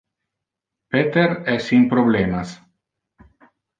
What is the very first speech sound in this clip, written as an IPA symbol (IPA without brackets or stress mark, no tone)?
p